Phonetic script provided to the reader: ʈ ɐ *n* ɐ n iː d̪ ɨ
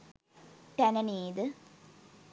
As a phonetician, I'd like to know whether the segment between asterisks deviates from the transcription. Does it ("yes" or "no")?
no